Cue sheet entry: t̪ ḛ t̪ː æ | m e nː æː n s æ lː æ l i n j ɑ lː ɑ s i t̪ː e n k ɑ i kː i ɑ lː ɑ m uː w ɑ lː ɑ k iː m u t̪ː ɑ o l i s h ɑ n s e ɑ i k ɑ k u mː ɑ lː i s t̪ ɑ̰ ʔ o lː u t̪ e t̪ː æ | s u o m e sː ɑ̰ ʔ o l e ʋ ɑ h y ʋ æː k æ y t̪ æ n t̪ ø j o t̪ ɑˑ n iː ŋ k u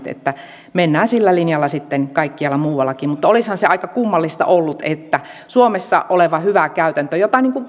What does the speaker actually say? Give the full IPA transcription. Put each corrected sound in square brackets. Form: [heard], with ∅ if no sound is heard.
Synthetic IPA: t̪ ḛ t̪ː æ | m e nː æː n s [i] lː æ l i n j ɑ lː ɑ s i t̪ː e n k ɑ i kː i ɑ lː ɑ m uː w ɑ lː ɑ k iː m u t̪ː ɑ o l i s h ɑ n s e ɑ i k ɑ k u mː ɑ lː i s t̪ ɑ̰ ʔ o lː u t̪ e t̪ː æ | s u o m e sː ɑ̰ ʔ o l e ʋ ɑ h y ʋ [æ] k æ y t̪ æ n t̪ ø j o t̪ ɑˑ n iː ŋ k u